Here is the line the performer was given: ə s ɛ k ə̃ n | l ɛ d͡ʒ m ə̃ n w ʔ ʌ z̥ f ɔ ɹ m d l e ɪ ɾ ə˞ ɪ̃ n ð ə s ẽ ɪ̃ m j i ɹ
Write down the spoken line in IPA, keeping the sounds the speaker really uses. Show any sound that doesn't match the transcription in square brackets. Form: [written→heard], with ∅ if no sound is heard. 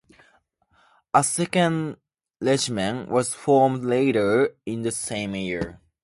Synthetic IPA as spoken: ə s ɛ k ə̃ n | l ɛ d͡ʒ m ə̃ n w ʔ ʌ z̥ f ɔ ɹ m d l e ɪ ɾ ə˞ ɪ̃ n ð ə s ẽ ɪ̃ m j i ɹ